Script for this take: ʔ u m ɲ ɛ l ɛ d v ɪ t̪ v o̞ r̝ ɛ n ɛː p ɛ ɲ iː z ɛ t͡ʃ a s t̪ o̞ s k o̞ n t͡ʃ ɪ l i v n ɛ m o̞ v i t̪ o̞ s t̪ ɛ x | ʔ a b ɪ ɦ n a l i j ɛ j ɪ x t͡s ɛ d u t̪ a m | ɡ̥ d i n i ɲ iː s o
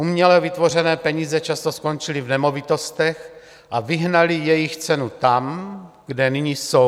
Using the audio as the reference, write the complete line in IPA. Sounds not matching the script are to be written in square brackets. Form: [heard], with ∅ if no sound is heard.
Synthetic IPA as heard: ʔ u m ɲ ɛ l ɛ [∅] v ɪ t̪ v o̞ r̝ ɛ n ɛː p ɛ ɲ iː z ɛ t͡ʃ a s t̪ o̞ s k o̞ n t͡ʃ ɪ l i v n ɛ m o̞ v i t̪ o̞ s t̪ ɛ x | ʔ a [v] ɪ ɦ n a l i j ɛ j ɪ x t͡s ɛ [n] u t̪ a m | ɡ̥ d [ɛ] n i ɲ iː s o